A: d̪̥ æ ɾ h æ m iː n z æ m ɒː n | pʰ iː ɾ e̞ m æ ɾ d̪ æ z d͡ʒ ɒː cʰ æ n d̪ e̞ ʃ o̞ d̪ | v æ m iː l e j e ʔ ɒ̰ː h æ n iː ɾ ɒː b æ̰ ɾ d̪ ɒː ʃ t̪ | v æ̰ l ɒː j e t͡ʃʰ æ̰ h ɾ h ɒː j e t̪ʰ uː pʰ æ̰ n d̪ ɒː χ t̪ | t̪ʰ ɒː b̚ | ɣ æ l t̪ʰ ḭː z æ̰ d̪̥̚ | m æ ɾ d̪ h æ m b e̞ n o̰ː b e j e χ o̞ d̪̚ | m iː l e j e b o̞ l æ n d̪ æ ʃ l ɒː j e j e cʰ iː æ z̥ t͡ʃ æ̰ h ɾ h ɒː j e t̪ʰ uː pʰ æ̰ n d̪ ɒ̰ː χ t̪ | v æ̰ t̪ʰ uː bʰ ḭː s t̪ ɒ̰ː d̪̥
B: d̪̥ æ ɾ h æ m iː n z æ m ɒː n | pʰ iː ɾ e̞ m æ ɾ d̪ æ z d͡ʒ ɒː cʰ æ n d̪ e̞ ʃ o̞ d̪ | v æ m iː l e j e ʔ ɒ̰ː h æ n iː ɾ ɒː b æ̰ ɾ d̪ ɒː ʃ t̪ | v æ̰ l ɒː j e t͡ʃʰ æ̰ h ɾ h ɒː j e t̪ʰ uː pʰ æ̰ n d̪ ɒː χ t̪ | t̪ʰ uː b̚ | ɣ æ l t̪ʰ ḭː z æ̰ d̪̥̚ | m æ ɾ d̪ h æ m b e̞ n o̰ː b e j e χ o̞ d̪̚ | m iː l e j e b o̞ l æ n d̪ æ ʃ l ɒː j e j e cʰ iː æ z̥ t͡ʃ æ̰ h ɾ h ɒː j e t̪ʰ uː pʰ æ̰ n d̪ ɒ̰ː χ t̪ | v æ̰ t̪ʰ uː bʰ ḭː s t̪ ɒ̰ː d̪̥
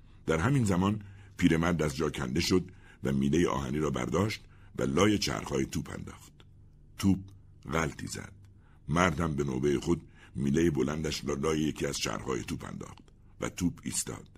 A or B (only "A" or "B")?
B